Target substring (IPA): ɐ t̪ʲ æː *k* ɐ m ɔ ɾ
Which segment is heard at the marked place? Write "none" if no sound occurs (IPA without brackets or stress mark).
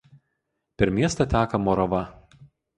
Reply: k